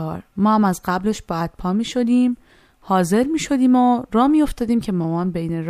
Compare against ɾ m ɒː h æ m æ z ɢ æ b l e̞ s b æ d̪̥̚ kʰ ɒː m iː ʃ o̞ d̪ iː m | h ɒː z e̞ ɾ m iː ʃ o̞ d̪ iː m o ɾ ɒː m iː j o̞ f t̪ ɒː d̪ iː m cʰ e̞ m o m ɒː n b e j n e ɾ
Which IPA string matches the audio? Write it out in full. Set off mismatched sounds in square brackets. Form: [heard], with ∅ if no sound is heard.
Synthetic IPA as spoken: ɾ m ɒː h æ m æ z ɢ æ b l e̞ [ʃ] b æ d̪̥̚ [pʰ] ɒː m iː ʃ o̞ d̪ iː m | h ɒː z e̞ ɾ m iː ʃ o̞ d̪ iː m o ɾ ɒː m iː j o̞ f t̪ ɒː d̪ iː m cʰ e̞ m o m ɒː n b e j n e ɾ